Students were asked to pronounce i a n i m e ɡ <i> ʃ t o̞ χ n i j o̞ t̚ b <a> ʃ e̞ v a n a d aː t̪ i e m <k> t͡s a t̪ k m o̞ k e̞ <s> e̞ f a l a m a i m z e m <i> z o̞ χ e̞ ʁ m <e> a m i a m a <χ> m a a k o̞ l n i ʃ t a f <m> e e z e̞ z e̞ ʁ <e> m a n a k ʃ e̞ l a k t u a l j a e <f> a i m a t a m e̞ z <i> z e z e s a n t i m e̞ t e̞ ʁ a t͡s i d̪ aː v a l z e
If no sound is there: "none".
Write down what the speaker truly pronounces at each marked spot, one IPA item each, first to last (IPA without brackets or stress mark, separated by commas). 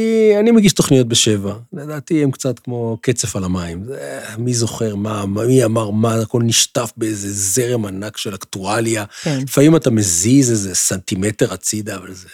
i, e, k, t͡s, i, a, ʁ, b, e, f, i